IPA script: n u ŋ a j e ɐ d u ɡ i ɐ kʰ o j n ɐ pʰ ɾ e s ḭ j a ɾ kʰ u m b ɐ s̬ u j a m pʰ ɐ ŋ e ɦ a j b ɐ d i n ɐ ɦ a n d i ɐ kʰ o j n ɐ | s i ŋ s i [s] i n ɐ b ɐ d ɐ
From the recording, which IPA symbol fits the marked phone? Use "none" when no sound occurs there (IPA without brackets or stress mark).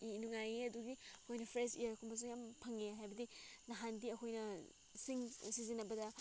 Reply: z